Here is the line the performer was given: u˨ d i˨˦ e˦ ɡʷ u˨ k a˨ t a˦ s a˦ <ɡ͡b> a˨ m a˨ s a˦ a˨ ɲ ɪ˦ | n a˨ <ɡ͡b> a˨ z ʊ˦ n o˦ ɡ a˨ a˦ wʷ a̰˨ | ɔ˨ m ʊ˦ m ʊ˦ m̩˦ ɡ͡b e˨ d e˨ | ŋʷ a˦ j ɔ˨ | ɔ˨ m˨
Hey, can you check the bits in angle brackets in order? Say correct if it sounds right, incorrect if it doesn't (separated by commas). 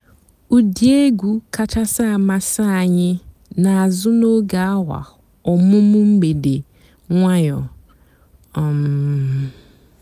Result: incorrect, incorrect